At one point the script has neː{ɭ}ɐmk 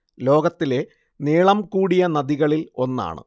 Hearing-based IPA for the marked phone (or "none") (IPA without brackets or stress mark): ɭ